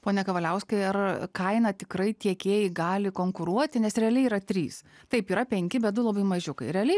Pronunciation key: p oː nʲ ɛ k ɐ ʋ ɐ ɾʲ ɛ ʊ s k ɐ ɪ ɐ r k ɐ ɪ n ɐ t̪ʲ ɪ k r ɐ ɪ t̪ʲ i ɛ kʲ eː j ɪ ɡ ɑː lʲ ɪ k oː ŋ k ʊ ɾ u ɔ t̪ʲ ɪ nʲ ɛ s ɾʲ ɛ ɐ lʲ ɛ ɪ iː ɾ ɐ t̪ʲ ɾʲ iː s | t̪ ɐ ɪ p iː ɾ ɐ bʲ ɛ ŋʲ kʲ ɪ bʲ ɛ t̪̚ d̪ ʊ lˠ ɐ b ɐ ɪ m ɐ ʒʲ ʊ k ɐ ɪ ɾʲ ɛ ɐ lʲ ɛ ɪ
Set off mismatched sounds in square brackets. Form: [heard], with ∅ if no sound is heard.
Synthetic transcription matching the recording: p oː nʲ ɛ k ɐ ʋ ɐ [lʲ] ɛ ʊ s k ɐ ɪ ɐ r k ɐ ɪ n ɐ t̪ʲ ɪ k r ɐ ɪ t̪ʲ i ɛ kʲ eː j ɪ ɡ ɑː lʲ ɪ k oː ŋ k ʊ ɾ u ɔ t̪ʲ ɪ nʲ ɛ s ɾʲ ɛ ɐ lʲ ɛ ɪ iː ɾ ɐ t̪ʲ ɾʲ iː s | t̪ ɐ ɪ p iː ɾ ɐ [pʲ] ɛ ŋʲ kʲ ɪ bʲ ɛ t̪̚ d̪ ʊ lˠ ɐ b ɐ ɪ m ɐ ʒʲ ʊ k ɐ ɪ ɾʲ ɛ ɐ lʲ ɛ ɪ